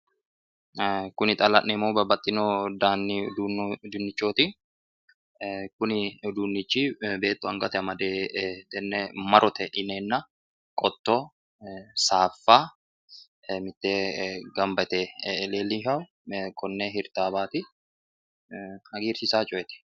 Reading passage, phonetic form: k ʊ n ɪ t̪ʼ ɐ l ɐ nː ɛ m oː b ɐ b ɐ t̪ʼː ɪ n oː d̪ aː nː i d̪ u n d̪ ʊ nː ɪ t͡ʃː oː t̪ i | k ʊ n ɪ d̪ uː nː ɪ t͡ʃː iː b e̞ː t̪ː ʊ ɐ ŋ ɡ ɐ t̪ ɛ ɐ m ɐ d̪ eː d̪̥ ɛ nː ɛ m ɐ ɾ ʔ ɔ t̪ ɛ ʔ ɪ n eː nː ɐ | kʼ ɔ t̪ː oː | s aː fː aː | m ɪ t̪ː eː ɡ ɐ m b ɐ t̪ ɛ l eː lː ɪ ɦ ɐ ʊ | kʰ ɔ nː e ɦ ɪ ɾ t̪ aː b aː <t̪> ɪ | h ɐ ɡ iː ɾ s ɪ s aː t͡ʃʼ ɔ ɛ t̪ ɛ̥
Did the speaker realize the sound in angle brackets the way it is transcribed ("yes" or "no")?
yes